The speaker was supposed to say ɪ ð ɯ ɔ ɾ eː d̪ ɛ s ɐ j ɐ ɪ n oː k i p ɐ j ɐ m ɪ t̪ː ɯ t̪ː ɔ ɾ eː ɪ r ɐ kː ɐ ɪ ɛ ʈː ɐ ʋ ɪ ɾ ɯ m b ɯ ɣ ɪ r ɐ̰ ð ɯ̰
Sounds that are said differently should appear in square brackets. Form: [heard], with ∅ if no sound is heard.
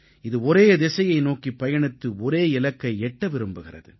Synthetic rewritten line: ɪ ð ɯ ɔ ɾ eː d̪ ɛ s ɐ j ɐ ɪ n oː k i p ɐ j ɐ [ɳ] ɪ t̪ː ɯ [∅] ɔ ɾ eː ɪ [l] ɐ kː ɐ ɪ ɛ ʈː ɐ ʋ ɪ ɾ ɯ m b ɯ ɣ ɪ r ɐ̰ ð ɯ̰